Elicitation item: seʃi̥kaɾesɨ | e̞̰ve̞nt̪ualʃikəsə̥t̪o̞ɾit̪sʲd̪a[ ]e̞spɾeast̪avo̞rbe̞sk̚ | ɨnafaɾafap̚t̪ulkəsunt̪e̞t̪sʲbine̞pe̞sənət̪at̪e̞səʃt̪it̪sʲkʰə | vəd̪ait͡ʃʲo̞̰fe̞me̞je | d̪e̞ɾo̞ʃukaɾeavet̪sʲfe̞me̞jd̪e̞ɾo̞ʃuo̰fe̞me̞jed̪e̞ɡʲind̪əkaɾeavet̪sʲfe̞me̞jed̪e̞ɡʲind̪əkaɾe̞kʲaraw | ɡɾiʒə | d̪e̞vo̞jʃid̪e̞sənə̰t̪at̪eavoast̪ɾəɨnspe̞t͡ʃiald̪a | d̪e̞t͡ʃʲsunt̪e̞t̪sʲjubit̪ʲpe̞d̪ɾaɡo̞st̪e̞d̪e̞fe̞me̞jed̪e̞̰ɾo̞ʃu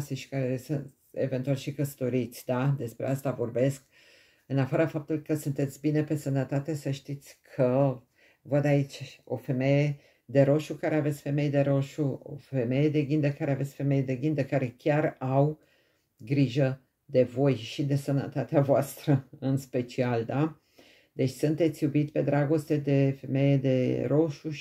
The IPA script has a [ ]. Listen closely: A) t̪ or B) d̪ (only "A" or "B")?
B